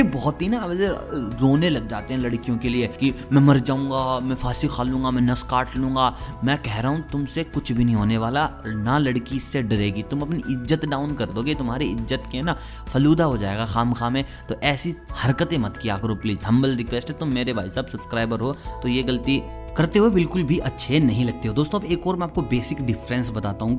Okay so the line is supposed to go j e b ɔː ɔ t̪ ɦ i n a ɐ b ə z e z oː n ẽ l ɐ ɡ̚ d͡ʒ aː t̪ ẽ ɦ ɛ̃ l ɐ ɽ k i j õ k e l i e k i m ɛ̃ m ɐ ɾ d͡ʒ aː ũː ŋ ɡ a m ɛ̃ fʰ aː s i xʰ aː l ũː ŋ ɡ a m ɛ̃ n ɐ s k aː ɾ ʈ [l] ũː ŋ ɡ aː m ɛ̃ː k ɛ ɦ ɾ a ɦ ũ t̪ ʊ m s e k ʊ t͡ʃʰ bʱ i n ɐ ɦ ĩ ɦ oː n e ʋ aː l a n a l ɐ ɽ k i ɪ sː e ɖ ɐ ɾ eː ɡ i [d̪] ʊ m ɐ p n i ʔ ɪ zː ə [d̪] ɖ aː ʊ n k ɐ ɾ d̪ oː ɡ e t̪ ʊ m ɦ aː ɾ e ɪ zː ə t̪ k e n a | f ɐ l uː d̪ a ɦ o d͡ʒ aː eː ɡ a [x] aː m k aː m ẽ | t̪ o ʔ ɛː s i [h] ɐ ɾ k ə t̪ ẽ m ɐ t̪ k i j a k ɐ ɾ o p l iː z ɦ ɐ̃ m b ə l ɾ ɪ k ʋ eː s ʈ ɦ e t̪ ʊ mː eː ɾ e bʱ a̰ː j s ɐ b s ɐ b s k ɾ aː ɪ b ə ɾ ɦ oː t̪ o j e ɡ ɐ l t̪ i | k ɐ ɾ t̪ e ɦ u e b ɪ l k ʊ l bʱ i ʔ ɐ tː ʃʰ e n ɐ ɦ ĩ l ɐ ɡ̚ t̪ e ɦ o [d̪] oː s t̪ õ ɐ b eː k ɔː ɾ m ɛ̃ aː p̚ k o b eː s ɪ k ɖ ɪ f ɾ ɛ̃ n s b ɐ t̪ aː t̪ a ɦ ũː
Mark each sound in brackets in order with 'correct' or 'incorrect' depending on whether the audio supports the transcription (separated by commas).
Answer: correct, incorrect, incorrect, correct, correct, correct